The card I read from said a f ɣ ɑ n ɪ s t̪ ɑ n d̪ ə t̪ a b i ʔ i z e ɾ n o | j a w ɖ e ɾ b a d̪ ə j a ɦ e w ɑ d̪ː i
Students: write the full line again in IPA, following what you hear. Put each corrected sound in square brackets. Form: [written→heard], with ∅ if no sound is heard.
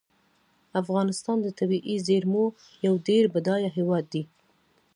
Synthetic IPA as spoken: a f ɣ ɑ n ɪ s t̪ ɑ n d̪ ə t̪ a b i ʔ i z e ɾ [n→m] o | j a w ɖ e ɾ b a d̪ [ə→ɑ] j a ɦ e w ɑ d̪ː i